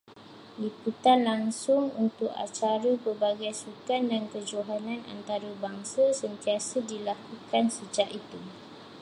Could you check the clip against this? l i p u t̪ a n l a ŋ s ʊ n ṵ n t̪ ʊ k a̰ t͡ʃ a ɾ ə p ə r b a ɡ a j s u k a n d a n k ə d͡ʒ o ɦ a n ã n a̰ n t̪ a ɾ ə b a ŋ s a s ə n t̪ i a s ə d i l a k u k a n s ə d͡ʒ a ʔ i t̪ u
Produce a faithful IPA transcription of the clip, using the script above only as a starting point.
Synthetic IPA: l i p u t̪ a n l a ŋ s ʊ ŋ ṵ n t̪ ʊ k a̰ t͡ʃ a ɾ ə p ə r b a ɡ a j s u k a n d a n k ə d͡ʒ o ɦ a n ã n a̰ n t̪ a ɾ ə b a ŋ s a s ə n t̪ i a s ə d i l a k u k a n s ə d͡ʒ a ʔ i t̪ u